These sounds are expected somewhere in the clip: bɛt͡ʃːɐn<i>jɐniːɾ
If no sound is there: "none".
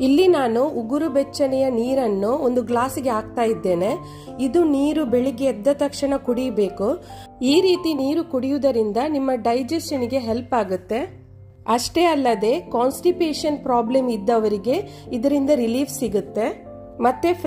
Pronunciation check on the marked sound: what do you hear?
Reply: ɛ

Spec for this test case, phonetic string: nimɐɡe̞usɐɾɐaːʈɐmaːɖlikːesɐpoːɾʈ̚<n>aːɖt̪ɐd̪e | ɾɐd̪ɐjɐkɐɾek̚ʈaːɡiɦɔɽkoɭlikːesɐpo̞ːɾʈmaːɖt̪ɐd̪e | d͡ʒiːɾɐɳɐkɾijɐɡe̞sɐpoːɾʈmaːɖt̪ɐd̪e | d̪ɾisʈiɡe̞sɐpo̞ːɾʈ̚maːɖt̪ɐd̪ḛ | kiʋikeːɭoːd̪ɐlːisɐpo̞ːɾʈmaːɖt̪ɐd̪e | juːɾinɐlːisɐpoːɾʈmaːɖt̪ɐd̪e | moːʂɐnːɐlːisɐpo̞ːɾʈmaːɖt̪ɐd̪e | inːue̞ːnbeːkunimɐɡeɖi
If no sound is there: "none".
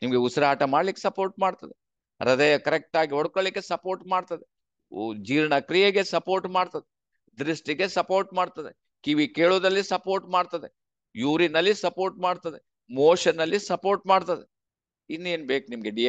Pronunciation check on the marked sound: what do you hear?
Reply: m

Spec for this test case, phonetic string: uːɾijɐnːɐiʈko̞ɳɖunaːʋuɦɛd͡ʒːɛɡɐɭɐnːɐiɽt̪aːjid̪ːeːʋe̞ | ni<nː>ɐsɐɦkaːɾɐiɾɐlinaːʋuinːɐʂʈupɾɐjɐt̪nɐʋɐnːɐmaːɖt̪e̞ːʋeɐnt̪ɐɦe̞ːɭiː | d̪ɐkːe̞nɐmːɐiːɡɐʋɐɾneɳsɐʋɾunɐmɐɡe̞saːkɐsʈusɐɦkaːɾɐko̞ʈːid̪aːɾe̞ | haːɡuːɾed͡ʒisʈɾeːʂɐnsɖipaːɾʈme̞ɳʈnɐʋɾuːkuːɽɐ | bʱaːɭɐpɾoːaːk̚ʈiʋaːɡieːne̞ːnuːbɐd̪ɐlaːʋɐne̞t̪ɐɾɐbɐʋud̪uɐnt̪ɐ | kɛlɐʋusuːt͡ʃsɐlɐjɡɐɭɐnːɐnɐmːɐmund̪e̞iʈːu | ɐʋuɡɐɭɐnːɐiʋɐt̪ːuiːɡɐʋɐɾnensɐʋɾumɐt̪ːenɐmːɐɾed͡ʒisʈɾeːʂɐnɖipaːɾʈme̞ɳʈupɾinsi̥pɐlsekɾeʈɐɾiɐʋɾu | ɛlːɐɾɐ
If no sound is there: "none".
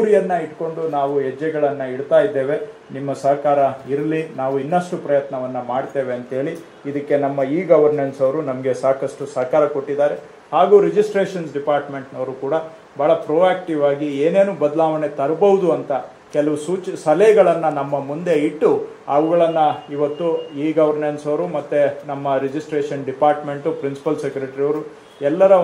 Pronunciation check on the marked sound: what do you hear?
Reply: mː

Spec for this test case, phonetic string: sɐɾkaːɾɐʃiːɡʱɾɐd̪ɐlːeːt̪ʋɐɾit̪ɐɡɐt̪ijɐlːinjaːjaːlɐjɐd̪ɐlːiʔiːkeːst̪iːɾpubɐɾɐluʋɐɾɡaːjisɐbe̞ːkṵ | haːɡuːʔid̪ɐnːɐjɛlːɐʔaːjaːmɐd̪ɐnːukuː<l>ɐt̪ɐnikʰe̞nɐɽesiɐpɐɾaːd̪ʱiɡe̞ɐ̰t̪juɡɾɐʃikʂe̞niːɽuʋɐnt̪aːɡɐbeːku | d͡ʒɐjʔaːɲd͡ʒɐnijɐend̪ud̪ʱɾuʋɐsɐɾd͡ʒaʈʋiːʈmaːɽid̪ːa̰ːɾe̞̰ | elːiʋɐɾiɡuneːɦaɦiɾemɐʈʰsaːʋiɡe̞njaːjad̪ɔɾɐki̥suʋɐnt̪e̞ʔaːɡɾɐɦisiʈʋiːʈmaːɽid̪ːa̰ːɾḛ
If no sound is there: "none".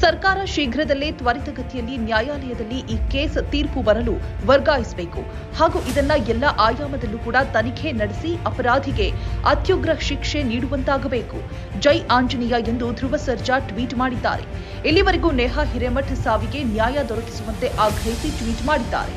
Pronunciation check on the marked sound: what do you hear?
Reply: ɽ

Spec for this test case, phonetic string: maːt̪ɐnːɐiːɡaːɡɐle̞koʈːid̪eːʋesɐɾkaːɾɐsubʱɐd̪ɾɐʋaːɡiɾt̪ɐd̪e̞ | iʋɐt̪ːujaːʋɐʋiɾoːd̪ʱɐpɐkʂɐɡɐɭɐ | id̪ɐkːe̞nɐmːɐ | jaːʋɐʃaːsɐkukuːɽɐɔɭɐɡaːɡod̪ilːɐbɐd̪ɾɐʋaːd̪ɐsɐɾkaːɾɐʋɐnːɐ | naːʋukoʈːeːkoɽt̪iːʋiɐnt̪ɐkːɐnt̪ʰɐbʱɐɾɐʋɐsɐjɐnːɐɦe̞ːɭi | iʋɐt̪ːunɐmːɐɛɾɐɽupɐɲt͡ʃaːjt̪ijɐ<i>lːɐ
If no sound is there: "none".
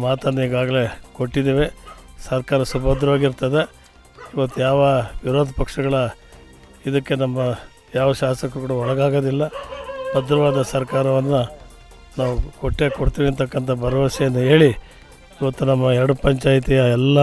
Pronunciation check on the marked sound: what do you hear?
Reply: ɛ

